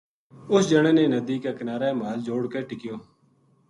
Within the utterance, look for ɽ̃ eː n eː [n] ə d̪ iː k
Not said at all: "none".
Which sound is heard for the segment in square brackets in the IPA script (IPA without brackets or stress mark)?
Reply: n